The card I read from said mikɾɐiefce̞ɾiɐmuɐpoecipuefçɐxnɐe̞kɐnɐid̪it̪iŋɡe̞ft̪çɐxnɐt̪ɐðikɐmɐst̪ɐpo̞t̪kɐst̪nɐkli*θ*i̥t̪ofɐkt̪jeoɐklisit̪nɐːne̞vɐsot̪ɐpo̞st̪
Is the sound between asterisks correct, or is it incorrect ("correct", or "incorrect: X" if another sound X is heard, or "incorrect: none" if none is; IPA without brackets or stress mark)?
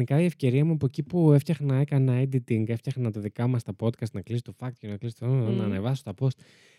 incorrect: s